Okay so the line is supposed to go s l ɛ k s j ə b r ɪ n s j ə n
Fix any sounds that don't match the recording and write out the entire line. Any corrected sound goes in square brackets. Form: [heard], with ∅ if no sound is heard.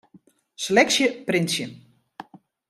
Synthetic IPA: s l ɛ k s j ə [p] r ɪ n s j ə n